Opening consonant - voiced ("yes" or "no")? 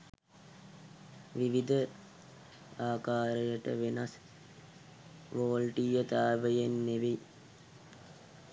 yes